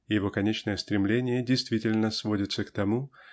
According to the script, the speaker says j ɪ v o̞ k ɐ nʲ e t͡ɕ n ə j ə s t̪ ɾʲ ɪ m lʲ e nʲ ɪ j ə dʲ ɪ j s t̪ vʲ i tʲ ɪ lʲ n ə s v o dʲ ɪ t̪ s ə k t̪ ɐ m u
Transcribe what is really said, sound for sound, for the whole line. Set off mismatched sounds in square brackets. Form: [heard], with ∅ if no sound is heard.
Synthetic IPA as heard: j ɪ v o̞ k ɐ nʲ e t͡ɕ n ə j ə s t̪ ɾʲ ɪ m lʲ e nʲ ɪ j ə dʲ ɪ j s t̪ vʲ i tʲ ɪ lʲ n ə s v o dʲ ɪ t̪ s ə k t̪ ɐ m u